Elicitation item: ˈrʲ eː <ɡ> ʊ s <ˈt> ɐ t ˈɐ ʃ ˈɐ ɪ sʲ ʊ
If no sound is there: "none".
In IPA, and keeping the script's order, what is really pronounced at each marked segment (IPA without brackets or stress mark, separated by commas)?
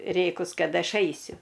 k, k